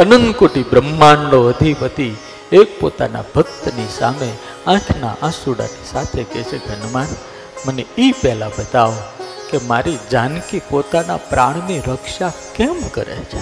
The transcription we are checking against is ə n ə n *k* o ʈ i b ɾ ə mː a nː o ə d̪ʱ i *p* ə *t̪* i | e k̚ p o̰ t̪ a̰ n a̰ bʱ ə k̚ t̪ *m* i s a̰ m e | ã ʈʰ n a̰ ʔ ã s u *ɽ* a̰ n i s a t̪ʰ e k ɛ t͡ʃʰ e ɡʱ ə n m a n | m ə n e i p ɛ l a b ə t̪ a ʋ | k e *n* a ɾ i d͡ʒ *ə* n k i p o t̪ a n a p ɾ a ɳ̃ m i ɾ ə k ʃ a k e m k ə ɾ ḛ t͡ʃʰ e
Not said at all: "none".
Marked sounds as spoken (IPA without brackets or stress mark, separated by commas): k, p, t̪, n, ɽ, m, a